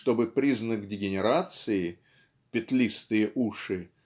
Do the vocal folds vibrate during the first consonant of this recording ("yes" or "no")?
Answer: no